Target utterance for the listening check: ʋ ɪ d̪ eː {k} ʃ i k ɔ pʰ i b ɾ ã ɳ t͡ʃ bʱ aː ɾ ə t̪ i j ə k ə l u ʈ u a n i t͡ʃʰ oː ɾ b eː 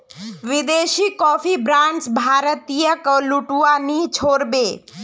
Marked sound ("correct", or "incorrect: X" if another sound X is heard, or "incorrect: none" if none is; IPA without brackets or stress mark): incorrect: none